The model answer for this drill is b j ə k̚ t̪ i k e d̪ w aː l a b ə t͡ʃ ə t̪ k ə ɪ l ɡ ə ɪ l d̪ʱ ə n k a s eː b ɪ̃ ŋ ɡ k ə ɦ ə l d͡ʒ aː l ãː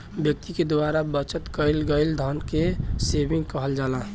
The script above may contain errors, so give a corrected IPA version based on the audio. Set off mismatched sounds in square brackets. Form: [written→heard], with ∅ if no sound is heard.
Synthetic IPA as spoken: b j ə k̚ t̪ i k e d̪ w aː [l→ɾ] a b ə t͡ʃ ə t̪ k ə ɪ l ɡ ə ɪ l d̪ʱ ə n k [a→e] s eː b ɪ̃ ŋ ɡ k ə ɦ ə l d͡ʒ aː l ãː